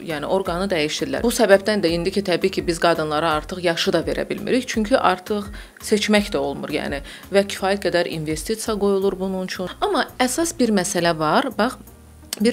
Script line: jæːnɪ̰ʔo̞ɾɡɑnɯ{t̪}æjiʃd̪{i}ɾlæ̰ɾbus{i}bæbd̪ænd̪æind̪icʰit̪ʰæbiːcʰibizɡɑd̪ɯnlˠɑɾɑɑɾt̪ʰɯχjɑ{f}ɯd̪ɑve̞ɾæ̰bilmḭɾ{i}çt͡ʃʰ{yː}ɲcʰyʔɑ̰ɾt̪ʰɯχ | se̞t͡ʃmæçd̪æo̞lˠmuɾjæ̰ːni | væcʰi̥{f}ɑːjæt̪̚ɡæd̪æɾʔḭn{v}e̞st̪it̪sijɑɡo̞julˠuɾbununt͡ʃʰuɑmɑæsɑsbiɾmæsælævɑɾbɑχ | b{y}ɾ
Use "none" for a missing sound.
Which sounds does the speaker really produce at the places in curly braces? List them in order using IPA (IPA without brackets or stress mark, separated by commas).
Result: d̪, i, æ, ʃ, i, y, f, v, i